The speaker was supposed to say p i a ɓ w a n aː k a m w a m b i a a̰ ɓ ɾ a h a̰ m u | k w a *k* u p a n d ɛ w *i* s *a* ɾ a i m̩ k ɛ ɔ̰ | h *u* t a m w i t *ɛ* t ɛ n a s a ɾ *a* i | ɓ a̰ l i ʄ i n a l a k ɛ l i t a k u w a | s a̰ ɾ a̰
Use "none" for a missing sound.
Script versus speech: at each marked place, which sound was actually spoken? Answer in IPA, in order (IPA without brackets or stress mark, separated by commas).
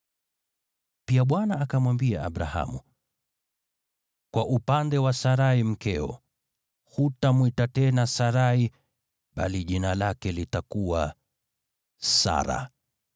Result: ʔ, a, a, u, a, a